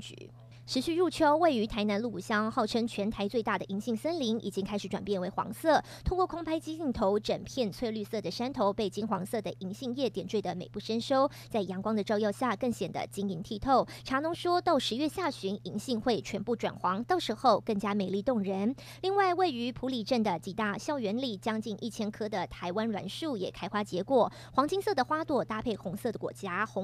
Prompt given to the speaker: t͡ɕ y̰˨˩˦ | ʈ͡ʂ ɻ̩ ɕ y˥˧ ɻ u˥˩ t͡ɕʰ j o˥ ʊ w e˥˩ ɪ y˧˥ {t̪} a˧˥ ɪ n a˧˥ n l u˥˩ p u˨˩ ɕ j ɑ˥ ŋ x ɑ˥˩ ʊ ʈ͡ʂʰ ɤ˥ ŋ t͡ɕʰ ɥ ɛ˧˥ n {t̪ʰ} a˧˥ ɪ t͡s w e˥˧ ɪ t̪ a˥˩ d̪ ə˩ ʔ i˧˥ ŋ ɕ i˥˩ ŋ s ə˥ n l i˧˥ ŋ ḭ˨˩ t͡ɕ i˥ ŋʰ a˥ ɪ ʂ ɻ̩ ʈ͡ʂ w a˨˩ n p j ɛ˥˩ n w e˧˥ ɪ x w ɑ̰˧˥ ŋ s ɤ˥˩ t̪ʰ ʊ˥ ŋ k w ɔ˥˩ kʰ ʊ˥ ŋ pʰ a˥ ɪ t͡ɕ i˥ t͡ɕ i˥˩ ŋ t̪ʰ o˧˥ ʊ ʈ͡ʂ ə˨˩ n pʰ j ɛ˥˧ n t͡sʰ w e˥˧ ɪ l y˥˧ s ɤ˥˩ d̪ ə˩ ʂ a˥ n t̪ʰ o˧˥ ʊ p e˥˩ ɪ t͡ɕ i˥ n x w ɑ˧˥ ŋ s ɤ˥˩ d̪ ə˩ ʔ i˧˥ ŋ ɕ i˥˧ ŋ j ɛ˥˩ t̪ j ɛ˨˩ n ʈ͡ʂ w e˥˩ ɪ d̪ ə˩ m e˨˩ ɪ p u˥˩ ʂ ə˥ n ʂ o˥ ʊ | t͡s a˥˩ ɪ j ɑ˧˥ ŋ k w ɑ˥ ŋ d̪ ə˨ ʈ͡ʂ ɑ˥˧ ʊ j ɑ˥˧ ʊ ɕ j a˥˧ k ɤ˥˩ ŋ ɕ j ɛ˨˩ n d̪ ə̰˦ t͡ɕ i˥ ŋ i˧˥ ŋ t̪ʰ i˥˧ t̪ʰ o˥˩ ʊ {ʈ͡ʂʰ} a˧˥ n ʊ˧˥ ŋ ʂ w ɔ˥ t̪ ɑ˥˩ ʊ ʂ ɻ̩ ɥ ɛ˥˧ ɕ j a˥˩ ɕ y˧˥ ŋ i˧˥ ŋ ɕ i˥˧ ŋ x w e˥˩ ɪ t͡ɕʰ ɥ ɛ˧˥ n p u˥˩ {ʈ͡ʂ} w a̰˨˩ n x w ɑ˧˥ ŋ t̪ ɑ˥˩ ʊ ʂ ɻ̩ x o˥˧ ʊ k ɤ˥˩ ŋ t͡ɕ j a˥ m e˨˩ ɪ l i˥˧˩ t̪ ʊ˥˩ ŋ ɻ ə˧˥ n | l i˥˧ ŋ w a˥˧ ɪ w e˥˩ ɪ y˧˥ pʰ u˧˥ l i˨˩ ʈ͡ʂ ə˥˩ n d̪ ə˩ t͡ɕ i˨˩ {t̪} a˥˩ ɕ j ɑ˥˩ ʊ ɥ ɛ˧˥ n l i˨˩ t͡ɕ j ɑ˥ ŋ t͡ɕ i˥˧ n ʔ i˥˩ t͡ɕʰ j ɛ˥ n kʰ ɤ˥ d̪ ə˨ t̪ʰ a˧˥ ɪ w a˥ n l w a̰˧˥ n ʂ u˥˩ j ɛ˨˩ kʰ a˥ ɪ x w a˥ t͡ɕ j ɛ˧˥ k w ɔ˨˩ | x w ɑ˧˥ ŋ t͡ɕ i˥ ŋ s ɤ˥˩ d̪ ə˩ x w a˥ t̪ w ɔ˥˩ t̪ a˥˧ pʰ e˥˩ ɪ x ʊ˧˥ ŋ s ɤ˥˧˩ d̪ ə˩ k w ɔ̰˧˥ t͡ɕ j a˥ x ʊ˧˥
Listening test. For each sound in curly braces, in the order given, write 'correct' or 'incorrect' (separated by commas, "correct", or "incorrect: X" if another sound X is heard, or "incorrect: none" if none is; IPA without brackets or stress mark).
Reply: incorrect: t̪ʰ, correct, correct, correct, correct